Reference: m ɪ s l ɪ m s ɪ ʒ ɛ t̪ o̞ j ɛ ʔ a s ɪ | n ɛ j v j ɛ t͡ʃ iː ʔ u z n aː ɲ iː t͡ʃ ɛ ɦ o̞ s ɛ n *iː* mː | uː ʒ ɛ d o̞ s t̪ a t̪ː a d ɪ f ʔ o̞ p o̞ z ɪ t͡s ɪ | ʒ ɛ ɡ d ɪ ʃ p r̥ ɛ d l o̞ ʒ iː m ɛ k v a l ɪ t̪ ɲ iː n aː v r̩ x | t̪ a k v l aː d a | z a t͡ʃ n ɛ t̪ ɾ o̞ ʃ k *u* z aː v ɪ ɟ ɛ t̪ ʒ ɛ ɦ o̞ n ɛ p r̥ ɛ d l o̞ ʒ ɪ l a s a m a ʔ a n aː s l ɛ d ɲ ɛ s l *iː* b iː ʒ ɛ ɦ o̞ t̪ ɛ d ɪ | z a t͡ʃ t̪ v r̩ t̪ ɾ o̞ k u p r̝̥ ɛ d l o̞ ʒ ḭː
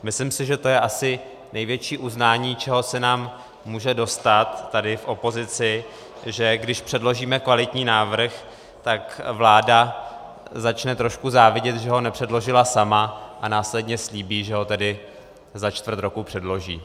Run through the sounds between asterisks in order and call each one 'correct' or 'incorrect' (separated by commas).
incorrect, correct, correct